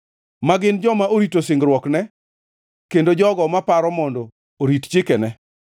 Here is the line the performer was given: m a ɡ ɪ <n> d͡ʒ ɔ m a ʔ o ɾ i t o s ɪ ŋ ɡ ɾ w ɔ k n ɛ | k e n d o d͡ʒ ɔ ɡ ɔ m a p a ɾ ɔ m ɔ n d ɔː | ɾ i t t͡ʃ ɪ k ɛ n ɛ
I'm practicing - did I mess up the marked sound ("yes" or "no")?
no